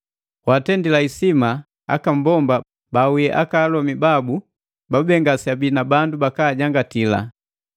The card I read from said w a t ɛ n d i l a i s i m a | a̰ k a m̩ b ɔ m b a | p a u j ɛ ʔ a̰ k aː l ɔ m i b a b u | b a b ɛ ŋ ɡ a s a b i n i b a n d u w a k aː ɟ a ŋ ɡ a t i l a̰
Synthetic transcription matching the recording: w a t ɛ n d i l a i s i m a | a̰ k a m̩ b ɔ m b a | b a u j ɛ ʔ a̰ k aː l ɔ m i b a b u | b a b ɛ ŋ ɡ a s a b i n a b a n d u b a k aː ɟ a ŋ ɡ a t i l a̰